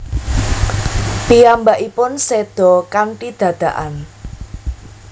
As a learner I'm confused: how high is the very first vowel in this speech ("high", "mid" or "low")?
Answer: high